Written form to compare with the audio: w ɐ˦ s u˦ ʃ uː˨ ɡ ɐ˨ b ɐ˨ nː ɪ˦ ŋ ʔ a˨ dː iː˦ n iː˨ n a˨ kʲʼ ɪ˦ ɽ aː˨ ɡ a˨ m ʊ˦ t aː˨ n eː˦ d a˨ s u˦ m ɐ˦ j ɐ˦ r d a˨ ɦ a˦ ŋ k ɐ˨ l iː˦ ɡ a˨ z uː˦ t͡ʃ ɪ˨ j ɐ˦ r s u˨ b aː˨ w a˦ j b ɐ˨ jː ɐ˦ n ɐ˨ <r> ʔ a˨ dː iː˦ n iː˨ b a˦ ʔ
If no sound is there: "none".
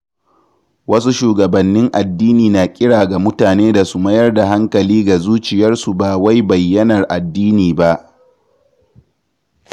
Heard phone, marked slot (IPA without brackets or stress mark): r